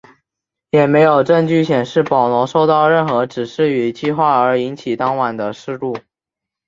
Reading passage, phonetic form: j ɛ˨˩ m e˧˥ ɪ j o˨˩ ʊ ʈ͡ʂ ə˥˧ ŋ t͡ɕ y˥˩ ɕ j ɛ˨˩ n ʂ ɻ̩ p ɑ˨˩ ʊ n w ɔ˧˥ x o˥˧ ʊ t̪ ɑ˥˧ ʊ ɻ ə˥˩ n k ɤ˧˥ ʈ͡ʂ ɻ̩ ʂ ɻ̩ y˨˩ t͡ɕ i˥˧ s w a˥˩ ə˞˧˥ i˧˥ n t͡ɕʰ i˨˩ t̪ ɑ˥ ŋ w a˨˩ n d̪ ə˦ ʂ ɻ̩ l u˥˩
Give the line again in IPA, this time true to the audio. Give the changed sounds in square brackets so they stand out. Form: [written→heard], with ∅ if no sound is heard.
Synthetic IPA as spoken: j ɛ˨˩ m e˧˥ ɪ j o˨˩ ʊ ʈ͡ʂ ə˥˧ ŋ t͡ɕ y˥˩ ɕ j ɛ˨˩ n ʂ ɻ̩ p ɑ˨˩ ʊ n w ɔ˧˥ [x→ʂ] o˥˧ ʊ t̪ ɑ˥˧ ʊ ɻ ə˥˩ n [k→x] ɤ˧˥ ʈ͡ʂ ɻ̩ ʂ ɻ̩ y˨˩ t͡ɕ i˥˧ [s→x] w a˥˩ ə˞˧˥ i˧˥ n t͡ɕʰ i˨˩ t̪ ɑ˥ ŋ w a˨˩ n d̪ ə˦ ʂ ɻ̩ l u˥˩